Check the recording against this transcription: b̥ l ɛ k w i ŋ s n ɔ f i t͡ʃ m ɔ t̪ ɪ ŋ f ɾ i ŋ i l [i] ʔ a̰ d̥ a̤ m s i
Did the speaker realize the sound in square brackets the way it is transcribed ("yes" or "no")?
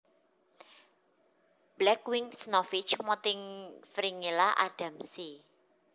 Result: no